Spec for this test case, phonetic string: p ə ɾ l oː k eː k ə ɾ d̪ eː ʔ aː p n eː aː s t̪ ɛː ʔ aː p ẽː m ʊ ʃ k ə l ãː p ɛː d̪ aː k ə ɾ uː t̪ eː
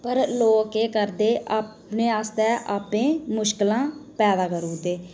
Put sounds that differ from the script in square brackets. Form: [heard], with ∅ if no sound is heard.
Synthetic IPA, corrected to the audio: p ə ɾ l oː k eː k ə ɾ d̪ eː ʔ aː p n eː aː s t̪ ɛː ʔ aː p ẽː m ʊ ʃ k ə l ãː p ɛː d̪ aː k ə ɾ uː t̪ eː